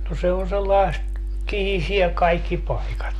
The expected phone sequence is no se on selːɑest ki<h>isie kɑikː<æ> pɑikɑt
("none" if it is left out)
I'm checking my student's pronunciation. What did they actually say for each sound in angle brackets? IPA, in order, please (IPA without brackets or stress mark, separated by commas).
h, i